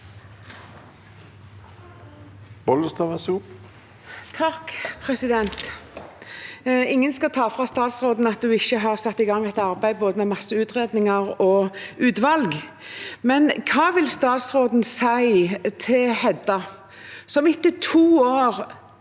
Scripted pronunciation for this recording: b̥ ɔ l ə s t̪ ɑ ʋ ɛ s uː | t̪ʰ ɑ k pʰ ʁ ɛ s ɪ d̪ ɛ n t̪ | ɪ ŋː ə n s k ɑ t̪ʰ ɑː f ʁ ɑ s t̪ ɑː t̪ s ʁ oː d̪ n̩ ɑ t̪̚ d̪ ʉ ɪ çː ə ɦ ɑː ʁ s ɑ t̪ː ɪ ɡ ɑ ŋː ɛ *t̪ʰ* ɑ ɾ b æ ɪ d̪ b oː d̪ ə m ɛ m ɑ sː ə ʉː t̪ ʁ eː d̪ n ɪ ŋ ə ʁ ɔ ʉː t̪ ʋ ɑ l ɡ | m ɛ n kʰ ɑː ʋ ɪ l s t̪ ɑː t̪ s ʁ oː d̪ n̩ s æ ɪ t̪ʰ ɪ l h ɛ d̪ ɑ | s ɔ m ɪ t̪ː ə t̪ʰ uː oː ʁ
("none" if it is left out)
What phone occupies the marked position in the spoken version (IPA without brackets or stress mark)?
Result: t̪